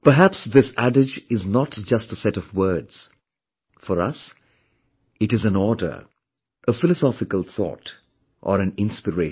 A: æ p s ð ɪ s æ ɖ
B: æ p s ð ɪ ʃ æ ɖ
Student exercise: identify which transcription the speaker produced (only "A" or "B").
A